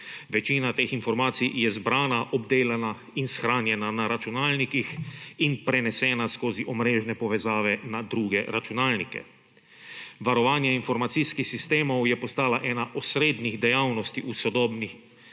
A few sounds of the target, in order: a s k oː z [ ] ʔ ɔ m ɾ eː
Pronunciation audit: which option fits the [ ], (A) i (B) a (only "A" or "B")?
A